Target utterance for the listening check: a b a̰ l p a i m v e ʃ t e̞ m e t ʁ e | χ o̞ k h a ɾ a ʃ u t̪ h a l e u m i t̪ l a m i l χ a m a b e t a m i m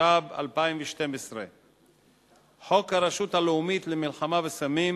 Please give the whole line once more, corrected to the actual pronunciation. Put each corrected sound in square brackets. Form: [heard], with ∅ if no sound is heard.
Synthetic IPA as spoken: a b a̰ l p a i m v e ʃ t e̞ m e [s] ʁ e | [ħ] o̞ k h a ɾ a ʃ u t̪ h a l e u m i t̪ l [e] m i l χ a m a [v] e [s] a m i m